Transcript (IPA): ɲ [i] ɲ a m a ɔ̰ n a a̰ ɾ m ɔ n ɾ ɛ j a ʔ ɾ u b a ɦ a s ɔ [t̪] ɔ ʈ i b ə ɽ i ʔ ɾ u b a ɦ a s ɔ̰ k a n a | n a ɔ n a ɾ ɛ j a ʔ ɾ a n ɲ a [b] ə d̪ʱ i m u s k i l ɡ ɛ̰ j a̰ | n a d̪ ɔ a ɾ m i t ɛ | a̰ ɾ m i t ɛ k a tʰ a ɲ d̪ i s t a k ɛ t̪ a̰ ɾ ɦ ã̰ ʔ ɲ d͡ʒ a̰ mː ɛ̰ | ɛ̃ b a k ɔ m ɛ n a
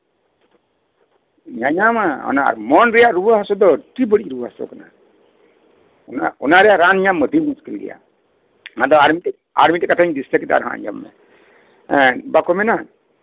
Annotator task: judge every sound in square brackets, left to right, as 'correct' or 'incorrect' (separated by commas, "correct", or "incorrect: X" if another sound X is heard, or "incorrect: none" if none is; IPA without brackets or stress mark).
incorrect: a, incorrect: d̪, incorrect: m